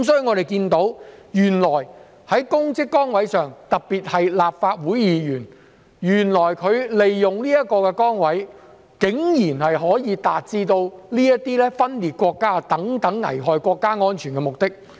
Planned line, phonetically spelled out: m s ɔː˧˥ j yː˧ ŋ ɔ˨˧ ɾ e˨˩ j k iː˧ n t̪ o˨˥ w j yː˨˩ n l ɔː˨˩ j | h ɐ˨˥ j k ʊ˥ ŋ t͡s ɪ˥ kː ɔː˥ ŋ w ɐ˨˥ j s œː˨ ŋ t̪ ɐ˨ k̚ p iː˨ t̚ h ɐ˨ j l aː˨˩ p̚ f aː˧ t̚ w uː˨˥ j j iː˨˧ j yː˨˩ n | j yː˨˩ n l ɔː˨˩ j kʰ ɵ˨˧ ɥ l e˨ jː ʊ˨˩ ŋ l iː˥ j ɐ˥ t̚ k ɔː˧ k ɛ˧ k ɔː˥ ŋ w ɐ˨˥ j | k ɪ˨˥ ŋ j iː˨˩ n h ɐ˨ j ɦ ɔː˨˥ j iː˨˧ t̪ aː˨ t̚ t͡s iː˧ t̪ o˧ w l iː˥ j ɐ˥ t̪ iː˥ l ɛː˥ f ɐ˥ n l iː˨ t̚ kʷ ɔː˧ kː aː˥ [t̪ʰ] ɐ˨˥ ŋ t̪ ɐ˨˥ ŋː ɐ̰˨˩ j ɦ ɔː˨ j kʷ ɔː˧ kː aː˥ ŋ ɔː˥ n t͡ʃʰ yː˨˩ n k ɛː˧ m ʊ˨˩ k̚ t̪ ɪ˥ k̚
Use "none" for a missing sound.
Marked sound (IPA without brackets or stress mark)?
t̪